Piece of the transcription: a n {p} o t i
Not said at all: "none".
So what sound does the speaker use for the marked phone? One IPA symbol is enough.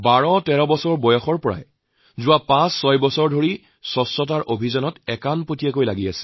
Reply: p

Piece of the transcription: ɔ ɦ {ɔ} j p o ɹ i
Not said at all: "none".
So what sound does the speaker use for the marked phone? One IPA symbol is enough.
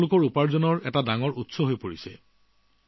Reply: o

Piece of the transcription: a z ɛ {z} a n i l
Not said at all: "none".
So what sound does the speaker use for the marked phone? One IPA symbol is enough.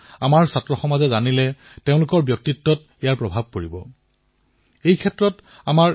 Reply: z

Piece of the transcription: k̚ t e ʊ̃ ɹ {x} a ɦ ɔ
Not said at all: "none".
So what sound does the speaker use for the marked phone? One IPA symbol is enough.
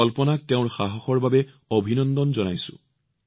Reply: x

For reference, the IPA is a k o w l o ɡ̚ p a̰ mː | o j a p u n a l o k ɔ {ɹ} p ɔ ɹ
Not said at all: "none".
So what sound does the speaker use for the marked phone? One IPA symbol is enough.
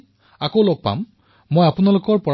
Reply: ɹ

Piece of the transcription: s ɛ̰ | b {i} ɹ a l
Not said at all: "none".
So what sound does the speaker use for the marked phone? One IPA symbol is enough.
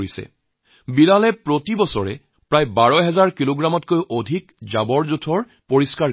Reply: i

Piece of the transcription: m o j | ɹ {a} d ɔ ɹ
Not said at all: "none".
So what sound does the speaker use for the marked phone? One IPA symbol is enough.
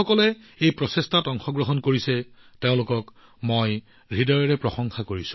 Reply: i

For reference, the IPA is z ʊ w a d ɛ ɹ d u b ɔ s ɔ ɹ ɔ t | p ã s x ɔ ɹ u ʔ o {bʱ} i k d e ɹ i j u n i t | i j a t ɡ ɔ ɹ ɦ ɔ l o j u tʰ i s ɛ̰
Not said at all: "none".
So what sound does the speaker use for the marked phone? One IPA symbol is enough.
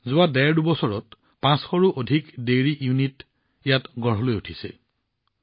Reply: dʱ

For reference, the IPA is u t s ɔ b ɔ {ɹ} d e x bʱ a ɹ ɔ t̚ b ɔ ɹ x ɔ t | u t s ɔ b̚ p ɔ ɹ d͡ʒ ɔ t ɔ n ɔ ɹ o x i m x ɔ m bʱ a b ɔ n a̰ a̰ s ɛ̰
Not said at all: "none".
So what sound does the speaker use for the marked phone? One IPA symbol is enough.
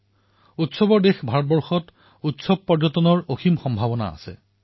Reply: ɹ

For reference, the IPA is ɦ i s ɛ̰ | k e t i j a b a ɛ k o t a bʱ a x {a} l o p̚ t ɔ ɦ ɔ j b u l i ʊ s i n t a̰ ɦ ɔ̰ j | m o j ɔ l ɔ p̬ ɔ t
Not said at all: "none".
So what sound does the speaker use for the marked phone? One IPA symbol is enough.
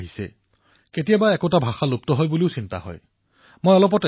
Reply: a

